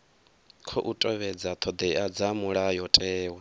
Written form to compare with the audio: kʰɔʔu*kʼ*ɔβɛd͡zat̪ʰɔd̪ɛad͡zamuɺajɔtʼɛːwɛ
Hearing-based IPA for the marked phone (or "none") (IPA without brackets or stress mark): tʼ